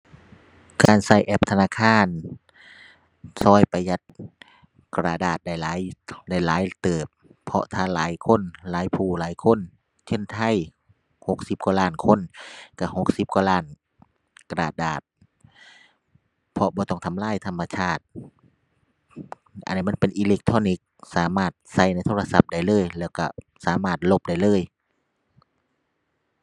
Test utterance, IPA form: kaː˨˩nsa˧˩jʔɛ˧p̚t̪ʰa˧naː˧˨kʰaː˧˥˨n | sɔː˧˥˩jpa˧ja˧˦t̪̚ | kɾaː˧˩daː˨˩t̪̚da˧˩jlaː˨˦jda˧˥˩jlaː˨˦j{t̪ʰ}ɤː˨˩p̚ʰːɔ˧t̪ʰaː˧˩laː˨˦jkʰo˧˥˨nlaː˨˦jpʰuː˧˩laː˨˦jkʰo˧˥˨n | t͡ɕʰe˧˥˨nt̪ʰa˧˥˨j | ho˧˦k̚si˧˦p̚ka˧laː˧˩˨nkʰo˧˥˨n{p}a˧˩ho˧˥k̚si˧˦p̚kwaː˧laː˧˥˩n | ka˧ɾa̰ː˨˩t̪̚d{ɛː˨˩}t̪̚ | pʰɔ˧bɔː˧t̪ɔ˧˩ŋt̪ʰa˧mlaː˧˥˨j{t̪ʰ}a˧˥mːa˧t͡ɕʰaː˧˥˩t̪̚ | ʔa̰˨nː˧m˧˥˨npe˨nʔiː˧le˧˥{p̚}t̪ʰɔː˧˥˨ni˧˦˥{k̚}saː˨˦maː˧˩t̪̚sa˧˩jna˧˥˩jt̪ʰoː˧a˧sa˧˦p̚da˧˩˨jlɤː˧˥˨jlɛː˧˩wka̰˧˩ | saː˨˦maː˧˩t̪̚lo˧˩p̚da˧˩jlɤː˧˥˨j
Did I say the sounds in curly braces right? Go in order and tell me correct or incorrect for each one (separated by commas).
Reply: incorrect, incorrect, incorrect, correct, incorrect, correct